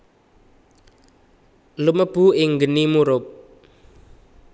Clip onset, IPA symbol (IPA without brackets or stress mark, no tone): l